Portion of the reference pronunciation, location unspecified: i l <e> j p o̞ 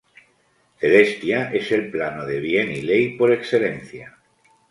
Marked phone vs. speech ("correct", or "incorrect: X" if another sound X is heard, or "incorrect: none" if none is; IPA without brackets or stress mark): correct